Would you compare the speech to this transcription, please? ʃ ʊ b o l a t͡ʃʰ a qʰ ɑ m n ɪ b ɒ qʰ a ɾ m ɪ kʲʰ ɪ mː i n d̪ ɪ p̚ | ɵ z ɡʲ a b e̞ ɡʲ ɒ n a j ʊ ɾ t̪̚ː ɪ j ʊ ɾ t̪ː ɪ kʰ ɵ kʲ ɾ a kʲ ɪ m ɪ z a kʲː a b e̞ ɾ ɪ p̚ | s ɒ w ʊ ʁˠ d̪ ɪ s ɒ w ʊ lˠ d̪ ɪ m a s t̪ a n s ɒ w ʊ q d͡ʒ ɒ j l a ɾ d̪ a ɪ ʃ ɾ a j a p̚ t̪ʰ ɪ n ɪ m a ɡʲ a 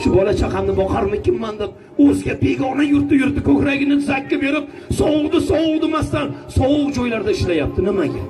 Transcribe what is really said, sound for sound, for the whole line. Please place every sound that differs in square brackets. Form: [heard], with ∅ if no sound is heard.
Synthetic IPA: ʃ ʊ b [ɒ] l a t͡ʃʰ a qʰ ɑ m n ɪ b ɒ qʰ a ɾ m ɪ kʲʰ ɪ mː [a] n d̪ ɪ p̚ | ɵ z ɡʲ a b e̞ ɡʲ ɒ n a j ʊ ɾ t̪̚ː ɪ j ʊ ɾ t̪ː ɪ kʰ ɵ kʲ ɾ a [ɡʲ] ɪ [n] ɪ z a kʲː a b e̞ ɾ ɪ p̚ | s ɒ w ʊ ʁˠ d̪ ɪ s ɒ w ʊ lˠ d̪ ɪ m a s t̪ a n s ɒ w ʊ q d͡ʒ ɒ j l a ɾ d̪ a ɪ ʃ [l] a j a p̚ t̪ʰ ɪ n ɪ m a ɡʲ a